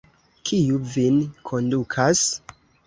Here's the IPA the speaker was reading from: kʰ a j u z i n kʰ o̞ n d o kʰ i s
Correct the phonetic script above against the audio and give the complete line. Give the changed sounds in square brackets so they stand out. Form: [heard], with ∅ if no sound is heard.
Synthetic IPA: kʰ [i] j u [v] i n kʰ o̞ n d [u] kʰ [a] s